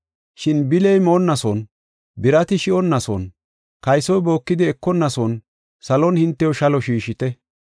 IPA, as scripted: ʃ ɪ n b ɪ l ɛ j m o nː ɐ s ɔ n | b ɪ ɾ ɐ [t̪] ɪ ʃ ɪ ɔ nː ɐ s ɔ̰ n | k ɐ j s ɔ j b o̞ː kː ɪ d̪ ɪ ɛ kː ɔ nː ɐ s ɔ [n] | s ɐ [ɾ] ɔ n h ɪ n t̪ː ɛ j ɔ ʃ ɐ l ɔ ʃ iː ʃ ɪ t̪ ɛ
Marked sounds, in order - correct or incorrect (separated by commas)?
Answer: correct, correct, incorrect